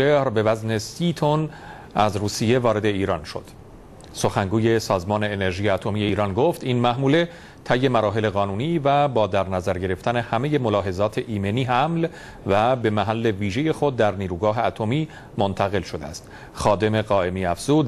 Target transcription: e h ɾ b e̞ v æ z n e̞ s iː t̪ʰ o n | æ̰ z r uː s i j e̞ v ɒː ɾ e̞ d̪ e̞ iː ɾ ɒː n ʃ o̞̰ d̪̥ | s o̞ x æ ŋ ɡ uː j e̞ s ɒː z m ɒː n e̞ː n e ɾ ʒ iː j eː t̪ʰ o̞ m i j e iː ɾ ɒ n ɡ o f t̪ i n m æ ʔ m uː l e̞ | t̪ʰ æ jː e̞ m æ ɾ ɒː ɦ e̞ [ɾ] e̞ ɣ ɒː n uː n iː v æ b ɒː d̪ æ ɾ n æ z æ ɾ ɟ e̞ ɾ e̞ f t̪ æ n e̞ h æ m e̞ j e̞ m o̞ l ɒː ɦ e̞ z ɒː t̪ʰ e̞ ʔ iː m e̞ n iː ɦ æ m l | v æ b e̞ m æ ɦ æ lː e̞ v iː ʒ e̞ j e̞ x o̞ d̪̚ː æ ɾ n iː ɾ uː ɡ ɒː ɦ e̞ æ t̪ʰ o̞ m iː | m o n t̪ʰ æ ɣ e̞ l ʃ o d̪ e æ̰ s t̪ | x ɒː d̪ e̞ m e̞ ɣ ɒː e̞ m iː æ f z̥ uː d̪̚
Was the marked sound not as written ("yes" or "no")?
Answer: yes